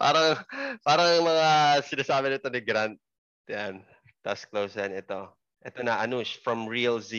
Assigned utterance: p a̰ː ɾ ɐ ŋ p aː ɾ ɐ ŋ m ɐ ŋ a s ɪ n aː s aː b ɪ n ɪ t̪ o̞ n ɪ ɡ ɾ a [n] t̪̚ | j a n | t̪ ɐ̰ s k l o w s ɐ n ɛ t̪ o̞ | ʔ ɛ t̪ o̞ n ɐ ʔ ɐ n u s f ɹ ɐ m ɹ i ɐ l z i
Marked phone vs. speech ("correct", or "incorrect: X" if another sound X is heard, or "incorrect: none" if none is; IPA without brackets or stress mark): correct